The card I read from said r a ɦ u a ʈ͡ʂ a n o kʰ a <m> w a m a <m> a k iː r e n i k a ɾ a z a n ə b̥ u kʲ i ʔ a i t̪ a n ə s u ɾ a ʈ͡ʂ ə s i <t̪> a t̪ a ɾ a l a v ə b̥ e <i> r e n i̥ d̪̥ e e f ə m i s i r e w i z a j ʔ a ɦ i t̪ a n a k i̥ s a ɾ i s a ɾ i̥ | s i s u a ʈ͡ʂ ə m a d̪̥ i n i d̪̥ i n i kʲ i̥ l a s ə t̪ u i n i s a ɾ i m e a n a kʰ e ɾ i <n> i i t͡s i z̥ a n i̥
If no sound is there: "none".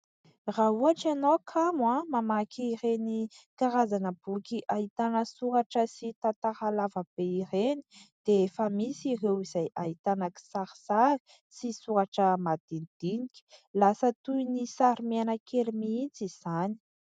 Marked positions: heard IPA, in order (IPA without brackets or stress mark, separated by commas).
m, m, t̪, i, m